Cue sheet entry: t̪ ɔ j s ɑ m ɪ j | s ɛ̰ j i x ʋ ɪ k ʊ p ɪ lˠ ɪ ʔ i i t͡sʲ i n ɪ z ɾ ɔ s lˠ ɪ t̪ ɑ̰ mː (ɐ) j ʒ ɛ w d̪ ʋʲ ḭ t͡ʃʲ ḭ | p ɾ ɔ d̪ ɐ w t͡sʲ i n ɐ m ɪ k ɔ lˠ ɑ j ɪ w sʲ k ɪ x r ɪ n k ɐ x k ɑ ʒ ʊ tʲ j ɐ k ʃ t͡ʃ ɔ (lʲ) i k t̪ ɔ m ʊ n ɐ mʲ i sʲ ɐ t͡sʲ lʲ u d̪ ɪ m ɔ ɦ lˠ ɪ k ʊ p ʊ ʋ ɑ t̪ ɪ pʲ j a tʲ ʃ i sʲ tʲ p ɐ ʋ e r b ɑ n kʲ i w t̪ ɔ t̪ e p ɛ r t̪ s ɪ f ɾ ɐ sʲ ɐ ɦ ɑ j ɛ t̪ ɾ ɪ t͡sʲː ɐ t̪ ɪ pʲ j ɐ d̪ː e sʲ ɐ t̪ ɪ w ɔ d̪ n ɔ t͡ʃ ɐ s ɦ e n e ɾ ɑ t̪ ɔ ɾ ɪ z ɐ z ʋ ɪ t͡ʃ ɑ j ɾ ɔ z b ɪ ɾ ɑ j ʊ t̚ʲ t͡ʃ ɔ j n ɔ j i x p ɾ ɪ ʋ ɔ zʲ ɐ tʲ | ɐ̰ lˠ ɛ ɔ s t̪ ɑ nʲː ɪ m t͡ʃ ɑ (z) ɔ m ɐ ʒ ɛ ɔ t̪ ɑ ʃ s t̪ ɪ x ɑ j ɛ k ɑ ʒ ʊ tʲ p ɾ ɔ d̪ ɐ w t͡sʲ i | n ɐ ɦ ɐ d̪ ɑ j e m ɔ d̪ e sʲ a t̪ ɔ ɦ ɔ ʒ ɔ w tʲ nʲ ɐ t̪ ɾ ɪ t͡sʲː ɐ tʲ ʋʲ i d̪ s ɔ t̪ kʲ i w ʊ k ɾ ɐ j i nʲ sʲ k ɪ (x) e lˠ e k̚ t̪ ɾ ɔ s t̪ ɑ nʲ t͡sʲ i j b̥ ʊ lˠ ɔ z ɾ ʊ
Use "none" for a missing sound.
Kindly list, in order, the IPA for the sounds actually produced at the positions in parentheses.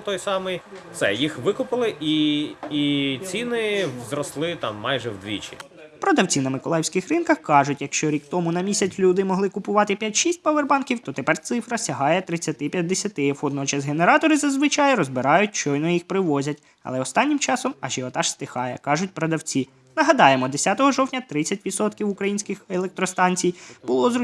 ɑ, ɾʲ, s, x

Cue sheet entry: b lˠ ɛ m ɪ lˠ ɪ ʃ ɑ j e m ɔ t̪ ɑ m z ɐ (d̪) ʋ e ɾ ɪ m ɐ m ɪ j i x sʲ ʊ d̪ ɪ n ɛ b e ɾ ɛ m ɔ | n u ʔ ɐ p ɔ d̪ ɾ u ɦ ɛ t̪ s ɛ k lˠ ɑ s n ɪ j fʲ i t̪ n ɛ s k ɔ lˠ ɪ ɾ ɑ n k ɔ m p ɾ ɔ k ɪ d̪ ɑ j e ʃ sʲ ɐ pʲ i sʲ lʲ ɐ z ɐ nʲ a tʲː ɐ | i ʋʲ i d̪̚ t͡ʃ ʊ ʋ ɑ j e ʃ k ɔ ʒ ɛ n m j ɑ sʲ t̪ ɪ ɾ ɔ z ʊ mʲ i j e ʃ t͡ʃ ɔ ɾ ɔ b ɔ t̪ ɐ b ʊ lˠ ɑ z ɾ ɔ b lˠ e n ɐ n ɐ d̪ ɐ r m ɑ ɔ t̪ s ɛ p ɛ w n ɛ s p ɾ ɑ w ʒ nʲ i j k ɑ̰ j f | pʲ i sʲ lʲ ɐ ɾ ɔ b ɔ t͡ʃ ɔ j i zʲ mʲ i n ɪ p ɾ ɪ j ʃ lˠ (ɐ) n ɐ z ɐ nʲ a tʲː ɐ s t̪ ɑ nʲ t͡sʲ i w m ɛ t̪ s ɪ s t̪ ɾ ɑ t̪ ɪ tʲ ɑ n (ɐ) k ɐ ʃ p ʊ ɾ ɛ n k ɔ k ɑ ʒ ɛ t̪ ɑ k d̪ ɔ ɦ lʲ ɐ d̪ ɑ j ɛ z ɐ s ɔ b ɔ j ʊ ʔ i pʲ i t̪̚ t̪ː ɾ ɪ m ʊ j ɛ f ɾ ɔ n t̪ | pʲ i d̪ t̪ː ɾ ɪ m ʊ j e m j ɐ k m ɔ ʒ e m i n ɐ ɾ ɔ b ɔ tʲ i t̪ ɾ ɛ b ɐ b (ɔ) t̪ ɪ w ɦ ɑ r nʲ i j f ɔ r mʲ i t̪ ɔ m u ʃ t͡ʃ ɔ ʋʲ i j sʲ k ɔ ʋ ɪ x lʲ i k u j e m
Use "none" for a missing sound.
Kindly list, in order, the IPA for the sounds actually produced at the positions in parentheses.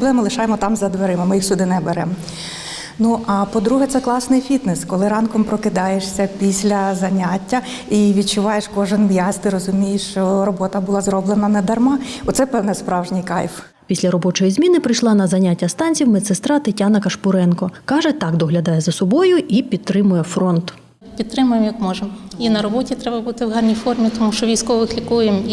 d̪, ɑ, ɐ, u

